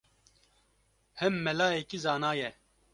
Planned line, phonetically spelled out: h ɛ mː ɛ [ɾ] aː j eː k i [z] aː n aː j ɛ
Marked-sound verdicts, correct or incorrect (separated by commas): incorrect, correct